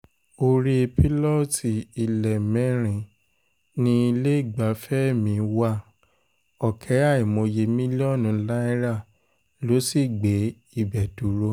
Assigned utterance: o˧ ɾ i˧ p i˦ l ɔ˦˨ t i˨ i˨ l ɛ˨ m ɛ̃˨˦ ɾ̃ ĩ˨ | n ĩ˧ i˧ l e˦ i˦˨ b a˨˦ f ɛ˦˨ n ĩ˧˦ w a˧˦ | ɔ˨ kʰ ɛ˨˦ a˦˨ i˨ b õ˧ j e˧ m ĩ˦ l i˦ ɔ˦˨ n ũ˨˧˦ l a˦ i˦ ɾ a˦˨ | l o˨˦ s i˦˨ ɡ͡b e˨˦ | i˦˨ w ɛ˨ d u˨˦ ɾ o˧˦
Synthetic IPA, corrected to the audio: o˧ ɾ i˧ p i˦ l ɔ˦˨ t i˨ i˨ l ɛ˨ m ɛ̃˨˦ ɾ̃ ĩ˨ | n ĩ˧ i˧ l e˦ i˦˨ ɡ͡b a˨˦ f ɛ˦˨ m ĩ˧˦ w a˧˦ | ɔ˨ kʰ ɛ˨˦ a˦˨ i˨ m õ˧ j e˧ m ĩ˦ l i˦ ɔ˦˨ n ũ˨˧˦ l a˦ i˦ ɾ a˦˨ | l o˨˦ s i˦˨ ɡ͡b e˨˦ | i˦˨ b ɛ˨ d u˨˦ ɾ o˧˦